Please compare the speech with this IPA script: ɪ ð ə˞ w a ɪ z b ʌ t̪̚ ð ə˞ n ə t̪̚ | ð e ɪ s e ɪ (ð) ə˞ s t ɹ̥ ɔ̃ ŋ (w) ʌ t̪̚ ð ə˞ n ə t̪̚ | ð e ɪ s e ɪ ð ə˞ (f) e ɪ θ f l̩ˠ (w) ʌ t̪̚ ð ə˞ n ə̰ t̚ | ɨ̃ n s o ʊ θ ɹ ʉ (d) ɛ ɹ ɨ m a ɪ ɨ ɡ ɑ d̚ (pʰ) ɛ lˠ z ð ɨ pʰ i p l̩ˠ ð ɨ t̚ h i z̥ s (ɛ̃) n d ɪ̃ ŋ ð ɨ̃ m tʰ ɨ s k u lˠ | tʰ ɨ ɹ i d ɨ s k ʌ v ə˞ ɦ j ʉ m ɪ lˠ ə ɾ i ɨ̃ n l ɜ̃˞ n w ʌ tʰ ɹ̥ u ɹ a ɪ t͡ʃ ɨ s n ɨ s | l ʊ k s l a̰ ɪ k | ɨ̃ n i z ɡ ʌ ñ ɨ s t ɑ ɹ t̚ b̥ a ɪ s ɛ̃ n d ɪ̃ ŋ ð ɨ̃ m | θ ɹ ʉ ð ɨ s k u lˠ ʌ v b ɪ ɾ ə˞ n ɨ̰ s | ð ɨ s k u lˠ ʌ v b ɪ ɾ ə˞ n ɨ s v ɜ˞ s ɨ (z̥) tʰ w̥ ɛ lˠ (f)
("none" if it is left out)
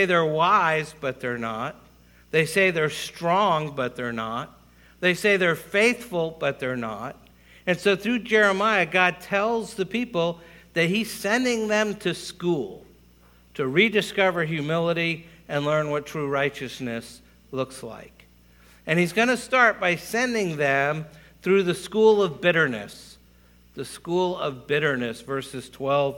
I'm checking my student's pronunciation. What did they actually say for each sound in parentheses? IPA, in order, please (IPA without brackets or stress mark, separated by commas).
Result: ð, b, f, b, d͡ʒ, tʰ, ɛ̃, z̥, v